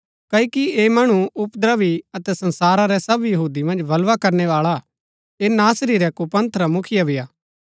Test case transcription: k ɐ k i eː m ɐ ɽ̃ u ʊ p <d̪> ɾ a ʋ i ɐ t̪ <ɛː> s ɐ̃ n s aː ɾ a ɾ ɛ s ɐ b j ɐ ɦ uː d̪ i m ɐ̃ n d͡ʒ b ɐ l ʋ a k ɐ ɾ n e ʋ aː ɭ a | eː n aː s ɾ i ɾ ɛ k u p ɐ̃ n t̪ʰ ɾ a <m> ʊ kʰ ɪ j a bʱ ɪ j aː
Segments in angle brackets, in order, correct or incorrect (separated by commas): correct, incorrect, correct